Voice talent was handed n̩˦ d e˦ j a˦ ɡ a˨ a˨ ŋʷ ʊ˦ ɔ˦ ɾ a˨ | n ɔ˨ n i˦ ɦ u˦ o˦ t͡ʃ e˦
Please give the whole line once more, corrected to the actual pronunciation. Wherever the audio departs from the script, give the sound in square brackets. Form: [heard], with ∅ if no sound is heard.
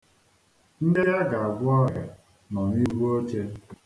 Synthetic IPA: n̩˦ d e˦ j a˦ ɡ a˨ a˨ [ɡʷ] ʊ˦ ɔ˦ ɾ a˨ | n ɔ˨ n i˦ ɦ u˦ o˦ t͡ʃ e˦

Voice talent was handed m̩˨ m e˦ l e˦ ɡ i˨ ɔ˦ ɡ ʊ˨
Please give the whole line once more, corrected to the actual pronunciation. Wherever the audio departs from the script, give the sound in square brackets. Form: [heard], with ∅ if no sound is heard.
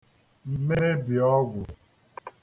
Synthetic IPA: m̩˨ m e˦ [ɾ] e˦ [b] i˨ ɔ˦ ɡ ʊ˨

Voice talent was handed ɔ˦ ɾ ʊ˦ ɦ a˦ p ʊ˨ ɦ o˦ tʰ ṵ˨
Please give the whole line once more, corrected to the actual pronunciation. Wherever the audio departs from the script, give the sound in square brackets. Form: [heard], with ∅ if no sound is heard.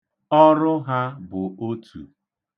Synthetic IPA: ɔ˦ ɾ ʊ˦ ɦ a˦ [b] ʊ˨ [∅] o˦ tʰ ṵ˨

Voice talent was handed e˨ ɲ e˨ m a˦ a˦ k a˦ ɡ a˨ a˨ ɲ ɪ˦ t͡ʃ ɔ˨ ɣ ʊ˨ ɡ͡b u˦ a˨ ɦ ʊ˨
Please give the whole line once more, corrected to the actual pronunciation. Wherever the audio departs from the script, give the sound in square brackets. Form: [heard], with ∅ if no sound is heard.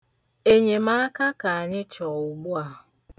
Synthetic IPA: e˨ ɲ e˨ m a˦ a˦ k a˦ [k] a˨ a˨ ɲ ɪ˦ t͡ʃ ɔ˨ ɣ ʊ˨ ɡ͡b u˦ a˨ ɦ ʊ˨

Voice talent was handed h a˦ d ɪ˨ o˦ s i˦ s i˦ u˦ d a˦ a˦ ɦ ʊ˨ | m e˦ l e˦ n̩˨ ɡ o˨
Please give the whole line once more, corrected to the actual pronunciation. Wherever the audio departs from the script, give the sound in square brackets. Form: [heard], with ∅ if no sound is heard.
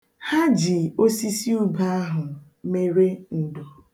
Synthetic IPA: h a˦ [d͡ʒ] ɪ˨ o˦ s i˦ s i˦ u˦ [b] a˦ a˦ ɦ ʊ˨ | m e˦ [ɾ] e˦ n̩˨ [d] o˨

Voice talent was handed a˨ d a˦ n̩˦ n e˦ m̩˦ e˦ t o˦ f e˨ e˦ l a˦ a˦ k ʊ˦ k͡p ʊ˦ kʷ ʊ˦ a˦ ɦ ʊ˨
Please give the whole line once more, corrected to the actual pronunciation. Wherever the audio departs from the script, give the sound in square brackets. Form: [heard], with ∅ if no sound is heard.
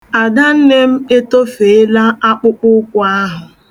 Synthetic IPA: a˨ d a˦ n̩˦ n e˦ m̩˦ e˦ t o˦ f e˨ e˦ l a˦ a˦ [k͡p] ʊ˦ k͡p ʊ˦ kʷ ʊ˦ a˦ ɦ ʊ˨

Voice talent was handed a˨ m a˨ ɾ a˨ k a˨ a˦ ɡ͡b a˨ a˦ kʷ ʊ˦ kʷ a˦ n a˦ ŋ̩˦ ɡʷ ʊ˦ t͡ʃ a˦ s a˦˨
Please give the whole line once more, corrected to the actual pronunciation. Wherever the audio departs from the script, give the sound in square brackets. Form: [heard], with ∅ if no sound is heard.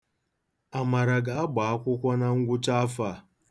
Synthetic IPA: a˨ m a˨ ɾ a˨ [ɡ] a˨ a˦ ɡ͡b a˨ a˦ kʷ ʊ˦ kʷ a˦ n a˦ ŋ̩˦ ɡʷ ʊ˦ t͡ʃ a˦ [f] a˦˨

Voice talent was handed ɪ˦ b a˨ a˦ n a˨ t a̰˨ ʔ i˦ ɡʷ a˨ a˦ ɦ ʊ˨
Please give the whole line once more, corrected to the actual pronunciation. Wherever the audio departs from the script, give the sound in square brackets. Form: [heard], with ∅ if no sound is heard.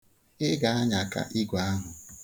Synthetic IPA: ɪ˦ [ɡ] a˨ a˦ [ɲ] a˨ [k] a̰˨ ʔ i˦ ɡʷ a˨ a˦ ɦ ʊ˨

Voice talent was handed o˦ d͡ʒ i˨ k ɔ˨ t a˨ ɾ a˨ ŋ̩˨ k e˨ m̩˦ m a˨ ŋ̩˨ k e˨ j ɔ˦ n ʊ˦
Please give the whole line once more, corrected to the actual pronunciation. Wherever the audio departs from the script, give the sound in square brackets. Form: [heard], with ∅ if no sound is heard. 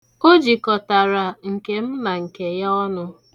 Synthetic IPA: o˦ d͡ʒ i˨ k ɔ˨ t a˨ ɾ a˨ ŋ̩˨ k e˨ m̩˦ m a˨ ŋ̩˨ k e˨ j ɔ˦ n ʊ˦

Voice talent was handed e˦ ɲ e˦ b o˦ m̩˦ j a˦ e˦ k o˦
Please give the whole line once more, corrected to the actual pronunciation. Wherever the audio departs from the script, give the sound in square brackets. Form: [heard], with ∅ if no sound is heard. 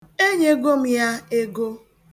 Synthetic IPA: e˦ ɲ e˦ [ɡ] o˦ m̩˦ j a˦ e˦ [ɡ] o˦

